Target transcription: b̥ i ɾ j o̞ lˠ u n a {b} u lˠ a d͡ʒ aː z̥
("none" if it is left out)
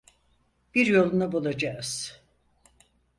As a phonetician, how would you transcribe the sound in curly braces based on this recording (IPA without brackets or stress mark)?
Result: b